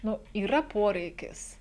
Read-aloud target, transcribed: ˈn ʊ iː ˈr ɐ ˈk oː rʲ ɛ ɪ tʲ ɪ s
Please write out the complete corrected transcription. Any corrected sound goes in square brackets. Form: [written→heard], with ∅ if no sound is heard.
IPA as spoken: ˈn ʊ iː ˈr ɐ [ˈk→ˈp] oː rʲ ɛ ɪ [tʲ→kʲ] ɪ s